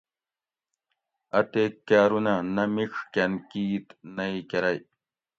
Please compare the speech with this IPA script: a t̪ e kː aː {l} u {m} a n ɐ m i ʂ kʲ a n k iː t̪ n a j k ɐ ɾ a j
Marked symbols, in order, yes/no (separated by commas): no, no